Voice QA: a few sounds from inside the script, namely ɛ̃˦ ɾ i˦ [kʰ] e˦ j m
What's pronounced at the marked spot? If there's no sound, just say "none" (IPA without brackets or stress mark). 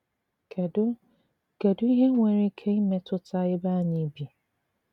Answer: kʰ